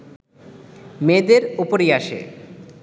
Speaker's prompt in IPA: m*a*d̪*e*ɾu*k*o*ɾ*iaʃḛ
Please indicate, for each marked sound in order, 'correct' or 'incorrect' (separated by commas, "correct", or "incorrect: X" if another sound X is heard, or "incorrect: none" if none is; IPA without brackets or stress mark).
incorrect: e, correct, incorrect: p, correct